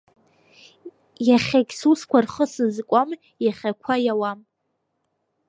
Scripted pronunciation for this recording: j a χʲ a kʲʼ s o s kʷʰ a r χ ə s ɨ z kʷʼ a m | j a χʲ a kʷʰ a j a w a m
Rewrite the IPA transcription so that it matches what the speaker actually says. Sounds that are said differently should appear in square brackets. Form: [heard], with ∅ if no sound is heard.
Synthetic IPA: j a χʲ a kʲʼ s [u] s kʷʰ a r χ ə s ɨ z kʷʼ a m | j a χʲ a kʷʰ a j a w a m